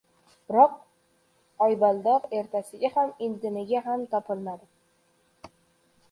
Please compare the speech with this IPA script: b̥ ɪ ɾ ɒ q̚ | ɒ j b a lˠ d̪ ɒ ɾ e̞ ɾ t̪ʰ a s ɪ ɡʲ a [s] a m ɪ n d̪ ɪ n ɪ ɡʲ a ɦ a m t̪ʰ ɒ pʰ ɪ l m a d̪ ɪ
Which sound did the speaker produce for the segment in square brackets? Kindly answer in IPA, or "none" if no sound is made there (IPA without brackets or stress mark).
h